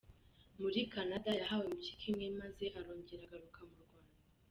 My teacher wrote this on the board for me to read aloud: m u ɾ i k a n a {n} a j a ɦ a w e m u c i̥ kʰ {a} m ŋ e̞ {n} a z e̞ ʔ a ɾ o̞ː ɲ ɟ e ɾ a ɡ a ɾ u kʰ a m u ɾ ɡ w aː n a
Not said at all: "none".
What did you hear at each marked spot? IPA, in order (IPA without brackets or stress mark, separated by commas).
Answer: d, i, m